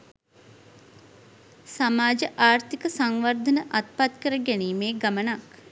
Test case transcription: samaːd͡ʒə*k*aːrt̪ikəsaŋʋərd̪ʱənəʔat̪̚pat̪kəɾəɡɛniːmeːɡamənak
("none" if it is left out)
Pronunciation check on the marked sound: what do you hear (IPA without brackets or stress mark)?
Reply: ʔ